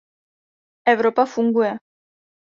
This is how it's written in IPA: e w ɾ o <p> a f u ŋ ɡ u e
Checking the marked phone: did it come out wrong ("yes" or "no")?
no